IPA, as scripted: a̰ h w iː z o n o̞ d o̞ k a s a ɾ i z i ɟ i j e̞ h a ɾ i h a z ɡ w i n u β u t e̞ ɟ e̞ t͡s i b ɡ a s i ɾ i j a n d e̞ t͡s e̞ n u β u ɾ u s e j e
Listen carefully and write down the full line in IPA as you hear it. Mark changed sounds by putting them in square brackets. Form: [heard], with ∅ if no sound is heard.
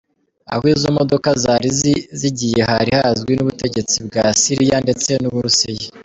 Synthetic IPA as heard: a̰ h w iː z o [m] o̞ d o̞ k a [z] a ɾ i z i ɟ i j e̞ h a ɾ i h a z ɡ w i n u β u t e̞ ɟ e̞ t͡s i b ɡ a s i ɾ i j a n d e̞ t͡s e̞ n u β u ɾ u s e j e